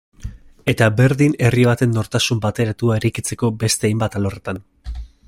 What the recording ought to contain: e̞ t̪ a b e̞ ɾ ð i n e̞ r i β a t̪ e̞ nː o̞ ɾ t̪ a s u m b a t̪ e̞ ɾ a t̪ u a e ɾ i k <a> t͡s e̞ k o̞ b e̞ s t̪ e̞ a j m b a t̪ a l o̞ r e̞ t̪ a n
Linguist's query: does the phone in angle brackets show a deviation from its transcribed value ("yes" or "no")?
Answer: yes